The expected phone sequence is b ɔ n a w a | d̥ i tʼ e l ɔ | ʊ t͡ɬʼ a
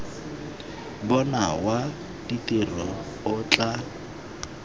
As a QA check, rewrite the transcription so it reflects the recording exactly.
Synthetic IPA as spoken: b ɔ n a w a | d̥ i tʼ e r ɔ | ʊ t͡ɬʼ a